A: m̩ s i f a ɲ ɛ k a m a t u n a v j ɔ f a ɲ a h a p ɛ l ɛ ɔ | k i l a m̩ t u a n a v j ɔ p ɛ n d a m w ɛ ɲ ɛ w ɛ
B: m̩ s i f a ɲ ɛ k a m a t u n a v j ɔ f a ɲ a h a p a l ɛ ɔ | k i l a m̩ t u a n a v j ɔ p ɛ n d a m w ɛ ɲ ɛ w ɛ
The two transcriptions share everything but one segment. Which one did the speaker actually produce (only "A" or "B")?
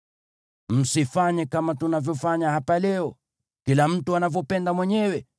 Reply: B